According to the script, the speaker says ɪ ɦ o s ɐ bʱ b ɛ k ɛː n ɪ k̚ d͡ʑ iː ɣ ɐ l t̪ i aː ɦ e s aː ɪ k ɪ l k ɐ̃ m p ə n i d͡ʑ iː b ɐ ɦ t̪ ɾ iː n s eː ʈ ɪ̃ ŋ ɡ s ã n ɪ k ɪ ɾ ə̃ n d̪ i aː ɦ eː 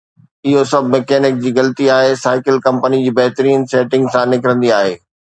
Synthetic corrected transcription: ɪ ɦ o s ɐ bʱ m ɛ k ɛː n ɪ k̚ d͡ʑ iː ɣ ɐ l t̪ i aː ɦ e s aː ɪ k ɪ l k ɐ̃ m p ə n i d͡ʑ iː b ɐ ɦ t̪ ɾ iː n s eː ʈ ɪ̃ ŋ ɡ s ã n ɪ k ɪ ɾ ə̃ n d̪ i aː ɦ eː